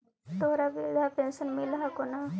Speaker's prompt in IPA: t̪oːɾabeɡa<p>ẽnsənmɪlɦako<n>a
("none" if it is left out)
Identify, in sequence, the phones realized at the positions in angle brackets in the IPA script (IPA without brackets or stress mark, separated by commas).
p, n